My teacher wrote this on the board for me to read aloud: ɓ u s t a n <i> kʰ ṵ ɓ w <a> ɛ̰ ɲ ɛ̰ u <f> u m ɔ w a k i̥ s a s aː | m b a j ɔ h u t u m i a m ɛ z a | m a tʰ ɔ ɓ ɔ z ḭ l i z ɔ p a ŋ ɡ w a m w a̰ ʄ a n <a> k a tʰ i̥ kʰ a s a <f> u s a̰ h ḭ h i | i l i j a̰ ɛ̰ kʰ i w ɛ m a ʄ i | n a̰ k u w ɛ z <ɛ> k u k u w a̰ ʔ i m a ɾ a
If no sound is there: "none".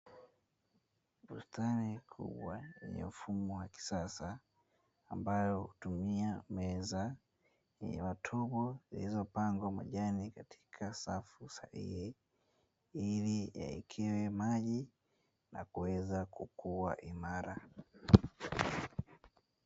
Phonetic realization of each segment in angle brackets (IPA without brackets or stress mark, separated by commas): i, a, f, i, f, a